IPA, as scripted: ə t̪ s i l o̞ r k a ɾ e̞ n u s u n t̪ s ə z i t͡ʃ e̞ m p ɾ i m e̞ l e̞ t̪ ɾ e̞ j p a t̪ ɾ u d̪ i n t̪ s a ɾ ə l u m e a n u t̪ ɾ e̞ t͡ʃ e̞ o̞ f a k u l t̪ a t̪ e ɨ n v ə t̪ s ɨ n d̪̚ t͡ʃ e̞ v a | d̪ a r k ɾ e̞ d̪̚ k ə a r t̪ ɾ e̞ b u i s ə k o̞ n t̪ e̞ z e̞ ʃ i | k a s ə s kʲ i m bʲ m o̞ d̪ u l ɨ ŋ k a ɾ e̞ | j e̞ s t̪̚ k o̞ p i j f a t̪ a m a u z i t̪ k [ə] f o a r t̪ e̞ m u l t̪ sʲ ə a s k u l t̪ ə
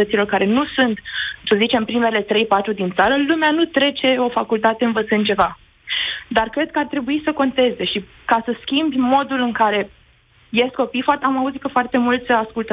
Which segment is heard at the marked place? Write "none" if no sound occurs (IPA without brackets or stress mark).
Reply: ə